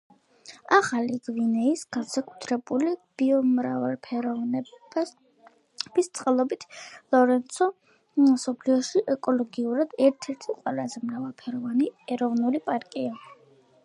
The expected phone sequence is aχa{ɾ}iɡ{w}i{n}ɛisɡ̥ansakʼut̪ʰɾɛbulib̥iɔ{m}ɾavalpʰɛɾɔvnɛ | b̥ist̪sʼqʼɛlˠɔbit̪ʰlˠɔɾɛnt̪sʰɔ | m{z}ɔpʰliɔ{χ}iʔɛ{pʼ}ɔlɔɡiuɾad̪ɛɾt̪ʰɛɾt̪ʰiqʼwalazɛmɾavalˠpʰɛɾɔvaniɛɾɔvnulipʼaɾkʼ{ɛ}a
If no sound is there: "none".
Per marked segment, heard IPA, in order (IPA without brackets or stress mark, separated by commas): l, v, n, m, s, ʃ, kʼ, i